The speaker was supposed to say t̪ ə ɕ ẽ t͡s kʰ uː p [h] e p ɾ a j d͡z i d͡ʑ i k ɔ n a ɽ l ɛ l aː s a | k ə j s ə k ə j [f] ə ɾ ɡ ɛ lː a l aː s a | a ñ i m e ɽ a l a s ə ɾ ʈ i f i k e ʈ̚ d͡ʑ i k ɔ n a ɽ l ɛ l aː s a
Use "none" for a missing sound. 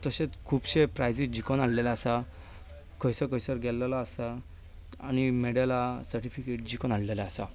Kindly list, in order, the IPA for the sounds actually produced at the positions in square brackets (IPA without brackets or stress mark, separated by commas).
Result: ɕ, s